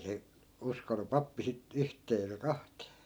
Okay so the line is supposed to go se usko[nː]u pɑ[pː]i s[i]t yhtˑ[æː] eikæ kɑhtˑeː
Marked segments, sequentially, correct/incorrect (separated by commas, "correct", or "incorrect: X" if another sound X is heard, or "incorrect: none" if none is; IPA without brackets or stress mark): incorrect: n, correct, correct, incorrect: eː